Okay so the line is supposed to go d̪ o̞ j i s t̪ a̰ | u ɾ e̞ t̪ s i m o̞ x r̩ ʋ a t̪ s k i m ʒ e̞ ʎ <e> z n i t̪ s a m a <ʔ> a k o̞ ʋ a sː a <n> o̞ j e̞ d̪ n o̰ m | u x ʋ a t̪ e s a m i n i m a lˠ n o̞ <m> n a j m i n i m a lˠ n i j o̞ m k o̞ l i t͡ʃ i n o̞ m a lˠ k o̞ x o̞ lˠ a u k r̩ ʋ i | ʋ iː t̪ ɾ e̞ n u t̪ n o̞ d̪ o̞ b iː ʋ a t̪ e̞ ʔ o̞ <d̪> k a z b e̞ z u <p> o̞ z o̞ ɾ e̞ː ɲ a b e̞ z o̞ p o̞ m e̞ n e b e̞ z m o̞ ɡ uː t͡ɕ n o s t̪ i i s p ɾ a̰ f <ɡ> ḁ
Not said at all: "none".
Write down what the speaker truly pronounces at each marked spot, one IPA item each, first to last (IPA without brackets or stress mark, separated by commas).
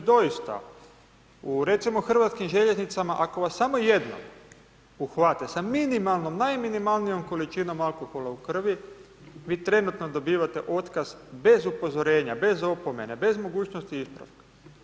e, ʔ, m, m, t̪, p, k